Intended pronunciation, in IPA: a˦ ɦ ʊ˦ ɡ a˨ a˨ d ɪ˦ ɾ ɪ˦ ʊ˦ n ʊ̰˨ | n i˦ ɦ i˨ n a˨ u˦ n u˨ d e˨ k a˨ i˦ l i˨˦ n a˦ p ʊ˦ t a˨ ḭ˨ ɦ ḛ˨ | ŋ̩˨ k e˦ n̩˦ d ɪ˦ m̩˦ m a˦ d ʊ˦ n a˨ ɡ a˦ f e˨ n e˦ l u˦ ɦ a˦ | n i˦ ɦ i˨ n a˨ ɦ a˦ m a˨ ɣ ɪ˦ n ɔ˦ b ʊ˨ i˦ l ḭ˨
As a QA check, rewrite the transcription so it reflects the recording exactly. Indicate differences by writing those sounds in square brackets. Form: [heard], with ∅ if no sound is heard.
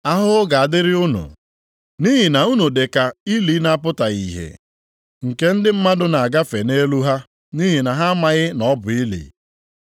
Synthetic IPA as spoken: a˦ ɦ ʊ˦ ɡ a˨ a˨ d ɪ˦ ɾ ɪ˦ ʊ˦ n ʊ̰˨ | n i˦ ɦ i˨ n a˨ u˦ n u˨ d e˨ k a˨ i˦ l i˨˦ n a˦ p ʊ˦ t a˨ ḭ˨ ɦ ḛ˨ | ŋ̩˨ k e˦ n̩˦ d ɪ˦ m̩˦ m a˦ d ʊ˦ n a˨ ɡ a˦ f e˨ n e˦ l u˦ ɦ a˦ | n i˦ ɦ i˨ n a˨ ɦ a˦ m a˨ ɣ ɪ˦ n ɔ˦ b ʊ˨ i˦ l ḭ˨